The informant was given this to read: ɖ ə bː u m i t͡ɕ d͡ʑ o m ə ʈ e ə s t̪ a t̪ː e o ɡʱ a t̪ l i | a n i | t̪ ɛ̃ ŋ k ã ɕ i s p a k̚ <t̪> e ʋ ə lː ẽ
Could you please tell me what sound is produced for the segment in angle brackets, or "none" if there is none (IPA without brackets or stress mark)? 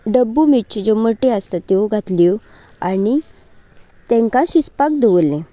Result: d̪